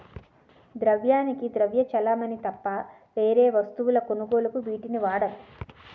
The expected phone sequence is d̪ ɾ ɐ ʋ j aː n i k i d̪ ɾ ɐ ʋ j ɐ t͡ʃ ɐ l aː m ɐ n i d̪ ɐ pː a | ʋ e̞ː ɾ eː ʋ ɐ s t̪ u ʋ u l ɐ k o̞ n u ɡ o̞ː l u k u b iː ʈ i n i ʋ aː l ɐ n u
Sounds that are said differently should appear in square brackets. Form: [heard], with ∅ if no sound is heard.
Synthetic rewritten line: d̪ ɾ ɐ ʋ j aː n i k i d̪ ɾ ɐ ʋ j ɐ t͡ʃ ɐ l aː m ɐ n i [t̪] ɐ pː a | ʋ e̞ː ɾ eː ʋ ɐ s t̪ u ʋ u l ɐ k o̞ n u ɡ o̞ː l u k u b iː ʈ i n i ʋ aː [ɽ] ɐ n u